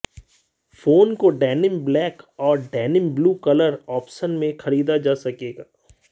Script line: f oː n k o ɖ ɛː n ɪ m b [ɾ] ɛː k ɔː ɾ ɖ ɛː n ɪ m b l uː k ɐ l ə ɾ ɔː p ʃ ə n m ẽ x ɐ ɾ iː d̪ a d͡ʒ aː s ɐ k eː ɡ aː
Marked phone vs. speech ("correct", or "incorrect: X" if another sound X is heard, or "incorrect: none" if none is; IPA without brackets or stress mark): incorrect: l